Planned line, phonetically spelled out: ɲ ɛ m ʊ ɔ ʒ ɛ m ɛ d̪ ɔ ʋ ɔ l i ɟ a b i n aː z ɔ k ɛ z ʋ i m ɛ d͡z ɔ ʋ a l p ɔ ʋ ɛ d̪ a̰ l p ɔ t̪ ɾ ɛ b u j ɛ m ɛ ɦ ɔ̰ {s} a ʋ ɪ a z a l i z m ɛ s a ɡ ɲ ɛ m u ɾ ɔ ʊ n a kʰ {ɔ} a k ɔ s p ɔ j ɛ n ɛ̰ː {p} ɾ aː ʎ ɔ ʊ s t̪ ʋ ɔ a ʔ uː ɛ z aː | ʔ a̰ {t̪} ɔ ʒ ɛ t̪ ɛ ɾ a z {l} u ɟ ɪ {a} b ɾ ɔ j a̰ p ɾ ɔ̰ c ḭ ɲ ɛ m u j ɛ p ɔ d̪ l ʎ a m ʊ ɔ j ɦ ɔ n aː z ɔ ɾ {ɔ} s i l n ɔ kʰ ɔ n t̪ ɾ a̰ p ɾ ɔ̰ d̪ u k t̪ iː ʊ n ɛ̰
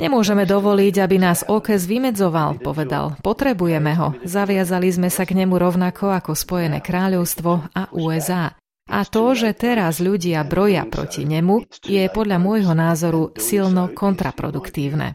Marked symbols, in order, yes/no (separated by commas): no, yes, no, yes, no, yes, no